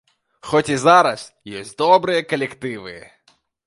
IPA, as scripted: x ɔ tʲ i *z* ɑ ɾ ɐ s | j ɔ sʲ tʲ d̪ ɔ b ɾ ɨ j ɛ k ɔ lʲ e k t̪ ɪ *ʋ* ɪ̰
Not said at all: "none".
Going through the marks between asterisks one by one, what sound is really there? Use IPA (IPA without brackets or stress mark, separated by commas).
z, ʋ